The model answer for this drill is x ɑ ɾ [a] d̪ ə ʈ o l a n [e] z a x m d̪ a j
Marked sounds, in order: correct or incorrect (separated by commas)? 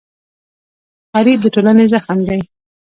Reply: incorrect, correct